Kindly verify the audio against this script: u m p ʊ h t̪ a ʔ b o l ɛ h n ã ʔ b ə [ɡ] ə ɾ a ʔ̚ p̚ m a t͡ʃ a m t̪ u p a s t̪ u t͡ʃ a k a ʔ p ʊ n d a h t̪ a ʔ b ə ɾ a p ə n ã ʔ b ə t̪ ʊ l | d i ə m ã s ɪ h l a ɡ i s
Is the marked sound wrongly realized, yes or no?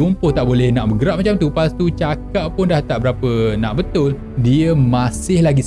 no